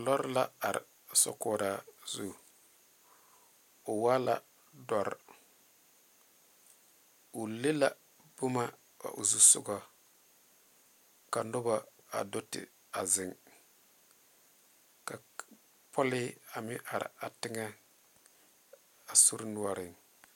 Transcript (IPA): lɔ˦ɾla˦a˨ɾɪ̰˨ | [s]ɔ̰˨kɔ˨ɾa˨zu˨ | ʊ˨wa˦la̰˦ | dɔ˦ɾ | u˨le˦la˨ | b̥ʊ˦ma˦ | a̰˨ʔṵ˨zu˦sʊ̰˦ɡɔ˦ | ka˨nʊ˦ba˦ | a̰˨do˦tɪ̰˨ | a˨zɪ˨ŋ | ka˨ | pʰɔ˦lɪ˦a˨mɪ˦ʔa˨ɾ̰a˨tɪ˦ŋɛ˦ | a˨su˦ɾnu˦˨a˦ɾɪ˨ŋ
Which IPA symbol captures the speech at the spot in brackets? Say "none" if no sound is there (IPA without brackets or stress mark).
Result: s